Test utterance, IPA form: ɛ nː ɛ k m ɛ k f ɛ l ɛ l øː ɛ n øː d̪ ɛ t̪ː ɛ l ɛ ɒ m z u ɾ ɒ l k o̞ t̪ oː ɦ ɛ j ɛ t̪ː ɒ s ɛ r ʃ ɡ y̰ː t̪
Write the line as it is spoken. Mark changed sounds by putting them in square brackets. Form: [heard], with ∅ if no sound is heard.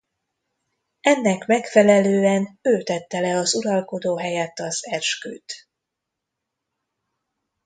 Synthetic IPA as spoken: ɛ nː ɛ k m ɛ k f ɛ l ɛ l øː ɛ n øː [t̪] ɛ t̪ː ɛ l ɛ ɒ [∅] z u ɾ ɒ l k o̞ [d̪] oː ɦ ɛ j ɛ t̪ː ɒ [z] ɛ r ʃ [k] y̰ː t̪